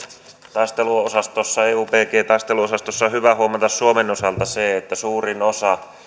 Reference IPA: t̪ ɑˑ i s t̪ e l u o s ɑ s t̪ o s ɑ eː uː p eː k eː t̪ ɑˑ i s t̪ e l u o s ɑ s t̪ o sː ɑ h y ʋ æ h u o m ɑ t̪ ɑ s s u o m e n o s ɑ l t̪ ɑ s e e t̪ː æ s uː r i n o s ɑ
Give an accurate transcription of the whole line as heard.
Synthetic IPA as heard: t̪ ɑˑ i s t̪ e l u o s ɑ s t̪ o sː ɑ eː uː p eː k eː t̪ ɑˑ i s t̪ e l u o s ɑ s t̪ o sː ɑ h y ʋ æ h u o m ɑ t̪ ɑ s s u o m e n o s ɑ l t̪ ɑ s e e t̪ː æ s uː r i n o s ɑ